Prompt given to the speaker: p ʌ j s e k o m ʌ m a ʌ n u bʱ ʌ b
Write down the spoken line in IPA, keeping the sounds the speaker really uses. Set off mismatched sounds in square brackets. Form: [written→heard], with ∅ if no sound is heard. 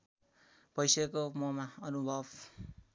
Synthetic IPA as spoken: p ʌ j s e k o m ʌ m a ʌ n u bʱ ʌ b